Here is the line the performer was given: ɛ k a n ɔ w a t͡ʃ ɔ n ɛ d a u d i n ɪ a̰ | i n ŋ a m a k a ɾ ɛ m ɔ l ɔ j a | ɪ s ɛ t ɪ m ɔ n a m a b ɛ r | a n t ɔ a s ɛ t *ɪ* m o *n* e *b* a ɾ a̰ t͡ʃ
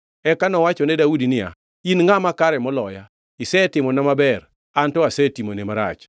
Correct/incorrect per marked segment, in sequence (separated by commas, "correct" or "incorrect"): incorrect, correct, incorrect